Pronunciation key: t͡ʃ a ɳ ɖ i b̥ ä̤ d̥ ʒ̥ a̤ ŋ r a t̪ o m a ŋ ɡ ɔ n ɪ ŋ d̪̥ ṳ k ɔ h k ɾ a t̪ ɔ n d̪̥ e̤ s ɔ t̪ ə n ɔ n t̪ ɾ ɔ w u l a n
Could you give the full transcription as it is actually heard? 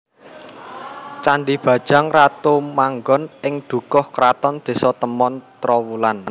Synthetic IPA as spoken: t͡ʃ a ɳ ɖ i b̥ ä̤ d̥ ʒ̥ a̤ ŋ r a t̪ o m a ŋ ɡ ɔ n ɪ ŋ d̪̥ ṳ k ɔ h k ɾ a t̪ ɔ n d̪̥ e̤ s ɔ t̪ ə m ɔ n t̪ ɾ ɔ w u l a n